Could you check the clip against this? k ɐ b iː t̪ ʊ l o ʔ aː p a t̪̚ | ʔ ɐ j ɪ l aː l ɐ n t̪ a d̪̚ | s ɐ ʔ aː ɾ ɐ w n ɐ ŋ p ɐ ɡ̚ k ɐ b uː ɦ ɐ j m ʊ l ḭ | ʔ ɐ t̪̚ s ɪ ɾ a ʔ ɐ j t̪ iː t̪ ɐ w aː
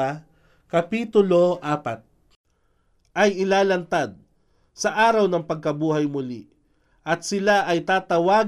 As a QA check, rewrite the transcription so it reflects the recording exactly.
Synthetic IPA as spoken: k ɐ p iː t̪ ʊ l o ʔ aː p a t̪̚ | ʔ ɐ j ɪ l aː l ɐ n t̪ a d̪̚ | s ɐ ʔ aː ɾ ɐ w n ɐ ŋ p ɐ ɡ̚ k ɐ b uː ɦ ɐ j m ʊ l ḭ | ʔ ɐ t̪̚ s ɪ l a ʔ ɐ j t̪ aː t̪ ɐ w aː